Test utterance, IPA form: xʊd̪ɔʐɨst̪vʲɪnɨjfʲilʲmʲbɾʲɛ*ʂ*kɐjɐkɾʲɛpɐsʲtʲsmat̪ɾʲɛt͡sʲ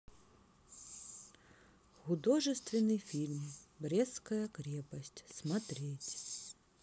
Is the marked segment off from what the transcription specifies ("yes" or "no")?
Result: yes